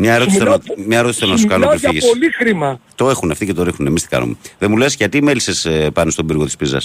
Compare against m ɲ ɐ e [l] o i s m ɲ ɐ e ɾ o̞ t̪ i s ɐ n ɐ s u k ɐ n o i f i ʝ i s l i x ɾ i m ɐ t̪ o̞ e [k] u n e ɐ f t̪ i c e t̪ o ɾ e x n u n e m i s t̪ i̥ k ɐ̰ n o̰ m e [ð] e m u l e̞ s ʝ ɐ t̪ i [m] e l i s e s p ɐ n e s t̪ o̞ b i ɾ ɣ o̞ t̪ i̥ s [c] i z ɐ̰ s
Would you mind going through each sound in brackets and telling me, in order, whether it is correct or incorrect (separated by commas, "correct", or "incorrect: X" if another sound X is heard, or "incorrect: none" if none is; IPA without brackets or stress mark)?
incorrect: ɾ, incorrect: x, correct, correct, incorrect: p